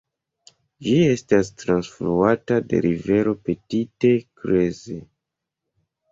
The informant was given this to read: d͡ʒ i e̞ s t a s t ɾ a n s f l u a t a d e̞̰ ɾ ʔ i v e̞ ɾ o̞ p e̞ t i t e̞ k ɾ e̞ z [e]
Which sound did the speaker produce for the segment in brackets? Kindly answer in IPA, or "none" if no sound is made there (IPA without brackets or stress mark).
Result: e